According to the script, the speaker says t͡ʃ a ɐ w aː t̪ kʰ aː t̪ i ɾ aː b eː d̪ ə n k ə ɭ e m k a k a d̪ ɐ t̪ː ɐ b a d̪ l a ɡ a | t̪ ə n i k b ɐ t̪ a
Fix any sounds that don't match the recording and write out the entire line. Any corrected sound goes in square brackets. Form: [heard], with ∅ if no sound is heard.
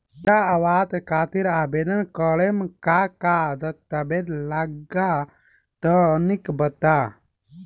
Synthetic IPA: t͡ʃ a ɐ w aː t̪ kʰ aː t̪ i ɾ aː b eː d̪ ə n k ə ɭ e m k a k a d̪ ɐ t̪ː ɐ b [e] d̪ l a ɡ a | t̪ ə n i k b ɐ t̪ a